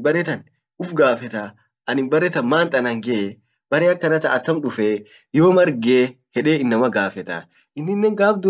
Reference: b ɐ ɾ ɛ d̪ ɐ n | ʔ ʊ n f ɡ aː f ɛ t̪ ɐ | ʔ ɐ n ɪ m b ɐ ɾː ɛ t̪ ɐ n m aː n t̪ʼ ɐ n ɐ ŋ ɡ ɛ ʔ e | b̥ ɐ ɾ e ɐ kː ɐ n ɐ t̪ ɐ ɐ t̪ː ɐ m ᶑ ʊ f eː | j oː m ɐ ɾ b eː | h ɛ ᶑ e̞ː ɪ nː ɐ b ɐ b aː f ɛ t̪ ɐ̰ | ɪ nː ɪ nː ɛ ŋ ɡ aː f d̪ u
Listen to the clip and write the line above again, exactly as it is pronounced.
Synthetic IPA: b ɐ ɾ ɛ t̪ ɐ n | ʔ ʊ f ɡ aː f ɛ t̪ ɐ | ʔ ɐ n ɪ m b ɐ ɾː ɛ t̪ ɐ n m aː n t̪ʼ ɐ n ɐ ŋ ɡ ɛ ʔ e | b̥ ɐ ɾ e ɐ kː ɐ n ɐ t̪ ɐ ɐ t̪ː ɐ m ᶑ ʊ f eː | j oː m ɐ ɾ ɡ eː | h ɛ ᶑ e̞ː ɪ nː ɐ m ɐ ɡ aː f ɛ t̪ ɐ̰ | ɪ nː ɪ nː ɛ ŋ ɡ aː f d̪ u